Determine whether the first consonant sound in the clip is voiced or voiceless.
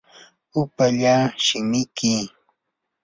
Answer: voiceless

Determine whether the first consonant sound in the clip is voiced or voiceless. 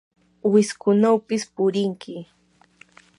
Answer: voiced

